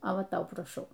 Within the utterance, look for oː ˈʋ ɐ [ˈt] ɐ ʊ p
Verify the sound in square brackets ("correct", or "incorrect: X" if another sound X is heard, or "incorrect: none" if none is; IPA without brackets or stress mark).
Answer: correct